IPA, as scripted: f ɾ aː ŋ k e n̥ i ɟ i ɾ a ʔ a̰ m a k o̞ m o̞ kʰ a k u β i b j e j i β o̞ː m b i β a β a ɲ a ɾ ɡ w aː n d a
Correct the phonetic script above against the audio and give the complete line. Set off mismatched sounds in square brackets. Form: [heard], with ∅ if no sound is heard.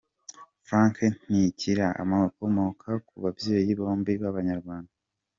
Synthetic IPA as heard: f ɾ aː ŋ k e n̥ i [c] i ɾ a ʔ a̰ m a k o̞ m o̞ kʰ a k u β [a] b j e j i β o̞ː m b i β a β a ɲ a ɾ ɡ w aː n d a

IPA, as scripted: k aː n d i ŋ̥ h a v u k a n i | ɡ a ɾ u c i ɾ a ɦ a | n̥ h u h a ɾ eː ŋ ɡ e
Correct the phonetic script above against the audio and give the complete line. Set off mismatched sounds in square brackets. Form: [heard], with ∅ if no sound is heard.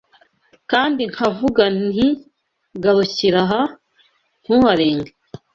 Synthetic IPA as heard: k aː n d i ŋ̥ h a v u [ɡ] a n i | ɡ a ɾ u c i ɾ a ɦ a | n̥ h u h a ɾ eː ŋ ɡ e

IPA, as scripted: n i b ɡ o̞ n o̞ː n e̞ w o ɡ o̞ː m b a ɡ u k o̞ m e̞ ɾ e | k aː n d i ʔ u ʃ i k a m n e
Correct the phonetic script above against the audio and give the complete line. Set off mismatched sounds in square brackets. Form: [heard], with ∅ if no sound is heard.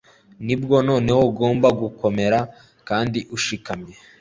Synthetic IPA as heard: n i b ɡ o̞ n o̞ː n e̞ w o ɡ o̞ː m b a ɡ u k o̞ m e̞ ɾ [a] | k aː n d i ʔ u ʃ i k a m [ɲ] e

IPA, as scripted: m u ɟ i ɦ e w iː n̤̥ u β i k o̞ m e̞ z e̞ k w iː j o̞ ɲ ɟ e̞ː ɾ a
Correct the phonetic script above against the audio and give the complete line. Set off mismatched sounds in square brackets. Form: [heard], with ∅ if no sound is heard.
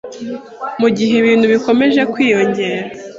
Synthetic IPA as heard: m u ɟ i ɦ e [β] iː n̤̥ u β i k o̞ m e̞ [ʒ] e̞ k w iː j o̞ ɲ ɟ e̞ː ɾ a

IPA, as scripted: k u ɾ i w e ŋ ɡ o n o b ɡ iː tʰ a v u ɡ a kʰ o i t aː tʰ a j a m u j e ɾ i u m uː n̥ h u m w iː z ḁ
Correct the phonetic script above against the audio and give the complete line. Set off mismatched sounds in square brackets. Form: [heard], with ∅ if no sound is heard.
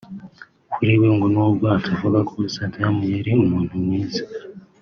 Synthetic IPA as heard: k u ɾ i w e ŋ ɡ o n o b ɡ [aː] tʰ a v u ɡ a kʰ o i [s] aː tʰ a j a m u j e ɾ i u m uː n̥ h u m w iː z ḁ

